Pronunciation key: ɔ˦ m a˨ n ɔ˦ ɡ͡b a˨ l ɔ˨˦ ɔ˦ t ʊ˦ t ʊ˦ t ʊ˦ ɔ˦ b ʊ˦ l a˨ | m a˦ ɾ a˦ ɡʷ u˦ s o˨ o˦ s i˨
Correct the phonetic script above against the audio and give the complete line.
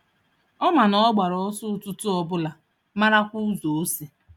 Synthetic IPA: ɔ˦ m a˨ n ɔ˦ ɡ͡b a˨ ɾ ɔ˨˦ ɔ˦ s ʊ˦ t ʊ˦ t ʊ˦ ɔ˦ b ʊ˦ l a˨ | m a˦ ɾ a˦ kʷ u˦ z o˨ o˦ s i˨

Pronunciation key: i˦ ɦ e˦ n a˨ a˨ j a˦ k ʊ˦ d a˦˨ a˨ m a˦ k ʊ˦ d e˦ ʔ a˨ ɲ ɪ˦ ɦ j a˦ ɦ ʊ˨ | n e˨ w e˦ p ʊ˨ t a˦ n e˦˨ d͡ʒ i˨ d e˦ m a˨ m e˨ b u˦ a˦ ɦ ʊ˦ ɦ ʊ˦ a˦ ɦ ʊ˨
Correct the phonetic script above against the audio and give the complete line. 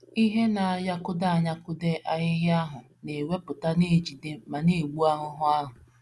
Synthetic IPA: i˦ ɦ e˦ n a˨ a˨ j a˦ k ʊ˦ d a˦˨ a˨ ɲ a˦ k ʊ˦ d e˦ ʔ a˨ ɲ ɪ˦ ɦ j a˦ ɦ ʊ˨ | n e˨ w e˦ p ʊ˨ t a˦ n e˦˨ d͡ʒ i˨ d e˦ m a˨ n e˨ ɡ͡b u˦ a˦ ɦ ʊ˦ ɦ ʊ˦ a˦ ɦ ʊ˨

